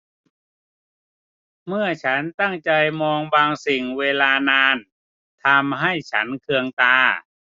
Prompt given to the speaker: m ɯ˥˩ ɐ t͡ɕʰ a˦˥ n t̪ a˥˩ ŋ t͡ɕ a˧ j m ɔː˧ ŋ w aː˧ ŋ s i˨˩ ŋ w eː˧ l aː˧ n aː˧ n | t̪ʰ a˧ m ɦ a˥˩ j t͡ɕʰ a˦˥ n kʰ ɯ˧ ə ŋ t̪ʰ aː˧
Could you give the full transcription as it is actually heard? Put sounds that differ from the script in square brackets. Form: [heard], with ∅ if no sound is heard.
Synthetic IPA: m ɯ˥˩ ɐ t͡ɕʰ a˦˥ n t̪ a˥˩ ŋ t͡ɕ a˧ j m ɔː˧ ŋ [b] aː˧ ŋ s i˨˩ ŋ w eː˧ l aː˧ n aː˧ n | t̪ʰ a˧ m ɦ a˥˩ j t͡ɕʰ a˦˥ n kʰ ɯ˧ ə ŋ [t̪] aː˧